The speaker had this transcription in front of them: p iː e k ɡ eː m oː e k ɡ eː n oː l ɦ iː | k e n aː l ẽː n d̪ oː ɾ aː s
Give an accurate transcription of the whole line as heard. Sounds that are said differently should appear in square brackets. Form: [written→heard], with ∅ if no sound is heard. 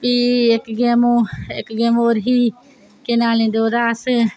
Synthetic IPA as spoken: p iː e k ɡ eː m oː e k ɡ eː [n→m] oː [l→ɾ] ɦ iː | k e n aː l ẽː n d̪ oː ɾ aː s